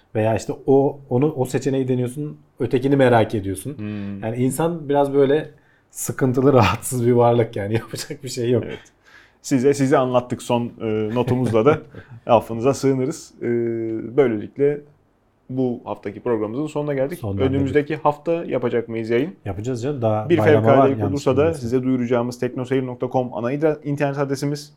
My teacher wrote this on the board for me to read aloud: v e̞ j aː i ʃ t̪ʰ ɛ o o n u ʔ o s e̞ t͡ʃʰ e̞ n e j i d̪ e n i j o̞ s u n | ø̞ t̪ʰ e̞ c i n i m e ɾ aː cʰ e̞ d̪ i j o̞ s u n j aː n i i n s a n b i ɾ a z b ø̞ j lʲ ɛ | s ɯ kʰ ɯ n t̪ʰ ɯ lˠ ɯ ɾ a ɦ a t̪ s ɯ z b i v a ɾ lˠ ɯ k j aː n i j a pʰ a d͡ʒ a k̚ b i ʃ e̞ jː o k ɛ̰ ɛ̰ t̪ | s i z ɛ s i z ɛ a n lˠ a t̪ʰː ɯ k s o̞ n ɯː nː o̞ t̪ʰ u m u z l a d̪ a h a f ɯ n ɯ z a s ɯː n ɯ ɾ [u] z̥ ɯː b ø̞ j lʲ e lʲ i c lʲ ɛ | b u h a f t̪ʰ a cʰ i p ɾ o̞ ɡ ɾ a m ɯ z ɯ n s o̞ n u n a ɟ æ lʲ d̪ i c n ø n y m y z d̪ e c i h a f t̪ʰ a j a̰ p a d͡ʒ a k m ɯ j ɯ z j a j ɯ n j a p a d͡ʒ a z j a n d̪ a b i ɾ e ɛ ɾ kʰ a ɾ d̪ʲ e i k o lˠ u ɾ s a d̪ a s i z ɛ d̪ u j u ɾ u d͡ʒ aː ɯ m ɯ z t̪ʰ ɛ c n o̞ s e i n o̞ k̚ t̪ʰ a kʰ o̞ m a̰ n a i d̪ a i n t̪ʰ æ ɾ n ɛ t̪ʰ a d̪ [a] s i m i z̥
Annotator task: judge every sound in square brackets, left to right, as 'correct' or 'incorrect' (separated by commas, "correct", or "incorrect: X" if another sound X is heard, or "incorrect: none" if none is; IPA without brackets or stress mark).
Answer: incorrect: ɯ, incorrect: e